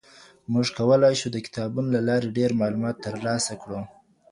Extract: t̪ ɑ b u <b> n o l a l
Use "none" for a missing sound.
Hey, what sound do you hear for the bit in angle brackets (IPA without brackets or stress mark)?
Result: none